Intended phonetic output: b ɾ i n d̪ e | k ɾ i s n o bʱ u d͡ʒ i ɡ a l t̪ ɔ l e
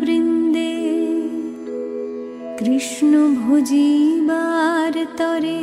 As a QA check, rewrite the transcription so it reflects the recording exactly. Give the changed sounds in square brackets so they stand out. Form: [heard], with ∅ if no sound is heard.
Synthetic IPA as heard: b ɾ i n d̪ e | k ɾ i [ʃ] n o bʱ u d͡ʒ i [b] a [ɾ] t̪ ɔ [ɾ] e